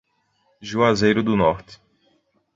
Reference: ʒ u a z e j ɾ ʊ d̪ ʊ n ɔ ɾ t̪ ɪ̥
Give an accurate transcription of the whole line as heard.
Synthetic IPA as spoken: ʒ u a z e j ɾ ʊ d̪ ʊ n ɔ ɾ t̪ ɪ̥